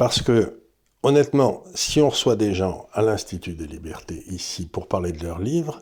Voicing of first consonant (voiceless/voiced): voiceless